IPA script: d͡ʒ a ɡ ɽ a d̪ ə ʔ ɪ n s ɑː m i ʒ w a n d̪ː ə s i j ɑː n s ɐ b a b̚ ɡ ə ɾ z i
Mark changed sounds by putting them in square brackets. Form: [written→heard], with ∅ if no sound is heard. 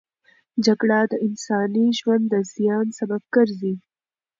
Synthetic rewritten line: d͡ʒ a ɡ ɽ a d̪ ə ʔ ɪ n s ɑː [m→n] i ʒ w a n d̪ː ə [s→z] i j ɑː n s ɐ b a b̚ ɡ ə ɾ z i